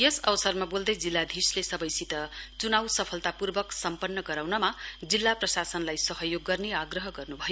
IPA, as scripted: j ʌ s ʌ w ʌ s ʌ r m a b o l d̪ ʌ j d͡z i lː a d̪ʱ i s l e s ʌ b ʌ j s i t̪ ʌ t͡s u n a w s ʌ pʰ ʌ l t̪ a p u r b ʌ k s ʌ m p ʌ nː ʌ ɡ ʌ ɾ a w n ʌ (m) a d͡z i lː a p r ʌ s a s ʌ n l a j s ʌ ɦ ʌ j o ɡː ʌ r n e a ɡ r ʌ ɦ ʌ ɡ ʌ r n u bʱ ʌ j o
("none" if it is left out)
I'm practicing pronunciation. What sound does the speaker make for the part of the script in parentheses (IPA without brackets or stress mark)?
m